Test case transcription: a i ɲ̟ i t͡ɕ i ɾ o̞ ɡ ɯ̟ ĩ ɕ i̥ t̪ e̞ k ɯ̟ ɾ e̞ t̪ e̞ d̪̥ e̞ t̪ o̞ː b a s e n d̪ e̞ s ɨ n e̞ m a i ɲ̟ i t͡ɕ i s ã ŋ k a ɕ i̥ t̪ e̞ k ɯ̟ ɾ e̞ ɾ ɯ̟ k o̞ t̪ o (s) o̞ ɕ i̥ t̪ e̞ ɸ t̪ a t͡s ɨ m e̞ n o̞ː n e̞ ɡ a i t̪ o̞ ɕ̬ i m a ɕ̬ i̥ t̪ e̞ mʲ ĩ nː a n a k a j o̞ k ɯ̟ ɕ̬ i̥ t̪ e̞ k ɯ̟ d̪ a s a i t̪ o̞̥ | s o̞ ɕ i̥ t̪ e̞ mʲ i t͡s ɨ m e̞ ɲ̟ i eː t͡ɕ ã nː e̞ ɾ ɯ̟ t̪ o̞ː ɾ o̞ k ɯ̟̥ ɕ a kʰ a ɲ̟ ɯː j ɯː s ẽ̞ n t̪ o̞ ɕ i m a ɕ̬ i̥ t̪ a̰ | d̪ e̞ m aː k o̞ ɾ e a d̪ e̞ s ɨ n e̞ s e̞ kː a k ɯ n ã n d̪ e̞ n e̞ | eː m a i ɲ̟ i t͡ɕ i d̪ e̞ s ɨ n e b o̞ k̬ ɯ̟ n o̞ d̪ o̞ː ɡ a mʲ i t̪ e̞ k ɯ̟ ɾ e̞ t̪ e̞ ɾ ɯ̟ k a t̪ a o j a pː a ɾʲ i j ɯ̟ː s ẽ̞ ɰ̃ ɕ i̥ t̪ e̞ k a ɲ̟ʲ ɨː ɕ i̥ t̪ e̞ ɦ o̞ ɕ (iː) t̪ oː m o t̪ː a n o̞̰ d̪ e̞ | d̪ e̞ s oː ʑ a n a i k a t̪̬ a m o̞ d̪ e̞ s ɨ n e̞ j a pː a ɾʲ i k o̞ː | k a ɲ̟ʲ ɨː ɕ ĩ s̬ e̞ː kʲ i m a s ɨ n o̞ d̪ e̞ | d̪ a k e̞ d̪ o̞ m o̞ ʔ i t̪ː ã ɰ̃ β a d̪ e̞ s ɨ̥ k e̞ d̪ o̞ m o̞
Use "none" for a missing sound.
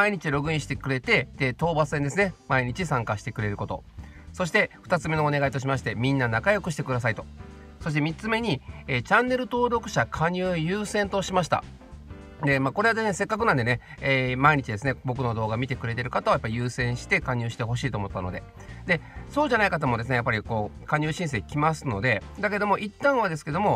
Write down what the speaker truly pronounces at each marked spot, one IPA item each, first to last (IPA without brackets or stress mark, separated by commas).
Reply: s, iː